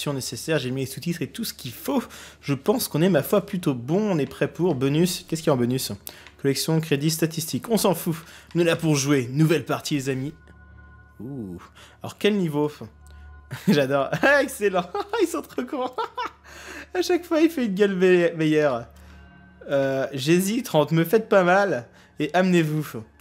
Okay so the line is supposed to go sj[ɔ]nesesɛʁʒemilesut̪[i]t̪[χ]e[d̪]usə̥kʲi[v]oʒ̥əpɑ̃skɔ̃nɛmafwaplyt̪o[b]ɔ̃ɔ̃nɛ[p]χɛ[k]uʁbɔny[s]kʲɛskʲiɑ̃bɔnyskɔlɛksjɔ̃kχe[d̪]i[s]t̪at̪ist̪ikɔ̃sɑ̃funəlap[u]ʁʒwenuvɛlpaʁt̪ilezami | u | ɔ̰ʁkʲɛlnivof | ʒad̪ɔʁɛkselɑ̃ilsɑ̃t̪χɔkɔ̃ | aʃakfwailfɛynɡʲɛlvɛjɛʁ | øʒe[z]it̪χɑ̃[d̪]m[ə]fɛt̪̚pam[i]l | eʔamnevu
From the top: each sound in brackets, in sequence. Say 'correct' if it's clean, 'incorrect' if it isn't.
incorrect: ɔ̃, correct, correct, incorrect: t̪, incorrect: f, correct, correct, incorrect: p, correct, correct, correct, correct, correct, incorrect: t̪, correct, incorrect: a

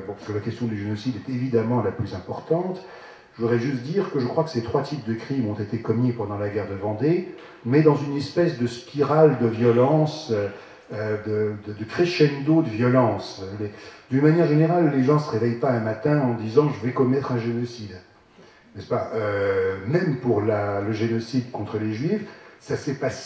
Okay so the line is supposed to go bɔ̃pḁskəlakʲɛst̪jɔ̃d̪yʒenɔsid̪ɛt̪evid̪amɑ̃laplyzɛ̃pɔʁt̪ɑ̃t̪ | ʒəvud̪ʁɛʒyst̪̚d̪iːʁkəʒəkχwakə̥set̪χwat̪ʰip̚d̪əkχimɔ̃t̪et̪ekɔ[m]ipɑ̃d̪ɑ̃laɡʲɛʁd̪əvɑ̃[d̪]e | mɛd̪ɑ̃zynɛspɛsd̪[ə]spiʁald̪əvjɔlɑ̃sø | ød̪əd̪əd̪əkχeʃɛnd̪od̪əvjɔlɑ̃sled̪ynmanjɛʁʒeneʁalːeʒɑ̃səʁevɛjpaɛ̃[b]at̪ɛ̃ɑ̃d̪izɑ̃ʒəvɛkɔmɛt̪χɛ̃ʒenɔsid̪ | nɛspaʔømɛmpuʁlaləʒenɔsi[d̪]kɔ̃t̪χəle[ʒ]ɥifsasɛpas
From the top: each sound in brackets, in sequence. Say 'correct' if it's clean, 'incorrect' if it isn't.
correct, correct, correct, incorrect: m, correct, correct

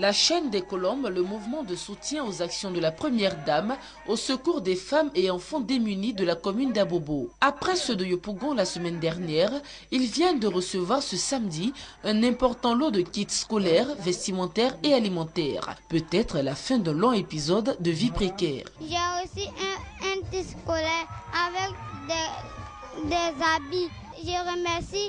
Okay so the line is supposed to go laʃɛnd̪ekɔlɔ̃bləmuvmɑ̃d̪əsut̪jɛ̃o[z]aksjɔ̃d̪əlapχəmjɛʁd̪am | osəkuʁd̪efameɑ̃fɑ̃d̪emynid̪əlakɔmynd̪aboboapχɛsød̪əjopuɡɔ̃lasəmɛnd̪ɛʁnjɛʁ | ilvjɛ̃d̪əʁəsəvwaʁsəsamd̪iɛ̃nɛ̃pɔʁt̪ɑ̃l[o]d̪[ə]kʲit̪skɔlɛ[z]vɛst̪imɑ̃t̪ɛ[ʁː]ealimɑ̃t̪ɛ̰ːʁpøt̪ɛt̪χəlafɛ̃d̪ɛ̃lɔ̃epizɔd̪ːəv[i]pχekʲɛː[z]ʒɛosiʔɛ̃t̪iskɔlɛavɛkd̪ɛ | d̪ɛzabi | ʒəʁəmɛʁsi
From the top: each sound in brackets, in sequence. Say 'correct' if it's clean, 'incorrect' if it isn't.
correct, correct, correct, incorrect: ʁ, incorrect: ʁ, correct, incorrect: ʁ

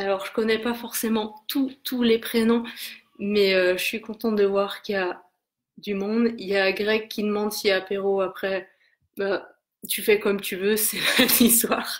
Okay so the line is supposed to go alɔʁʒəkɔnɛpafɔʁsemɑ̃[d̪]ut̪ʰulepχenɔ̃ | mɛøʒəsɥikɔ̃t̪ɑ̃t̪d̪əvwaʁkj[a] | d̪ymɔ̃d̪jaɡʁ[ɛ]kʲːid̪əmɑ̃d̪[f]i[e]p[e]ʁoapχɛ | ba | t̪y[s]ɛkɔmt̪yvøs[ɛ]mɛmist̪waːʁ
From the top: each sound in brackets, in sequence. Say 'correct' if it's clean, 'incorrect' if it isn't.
incorrect: t̪, correct, correct, incorrect: s, incorrect: a, correct, incorrect: f, correct

